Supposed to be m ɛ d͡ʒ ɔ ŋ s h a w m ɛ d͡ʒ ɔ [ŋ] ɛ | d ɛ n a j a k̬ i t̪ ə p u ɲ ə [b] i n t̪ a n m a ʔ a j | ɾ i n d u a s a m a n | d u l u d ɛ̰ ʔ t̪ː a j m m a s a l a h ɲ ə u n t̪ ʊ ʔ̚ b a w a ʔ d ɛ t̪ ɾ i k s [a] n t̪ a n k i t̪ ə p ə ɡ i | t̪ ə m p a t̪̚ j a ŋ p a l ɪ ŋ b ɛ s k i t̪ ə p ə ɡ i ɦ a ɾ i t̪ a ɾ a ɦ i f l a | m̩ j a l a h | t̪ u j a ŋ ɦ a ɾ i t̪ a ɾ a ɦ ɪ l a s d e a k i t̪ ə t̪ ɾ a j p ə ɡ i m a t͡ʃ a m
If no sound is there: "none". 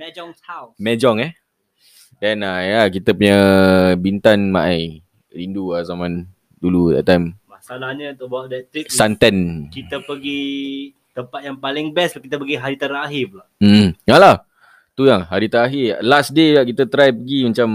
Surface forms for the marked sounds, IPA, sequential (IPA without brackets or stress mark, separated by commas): ŋ, b, a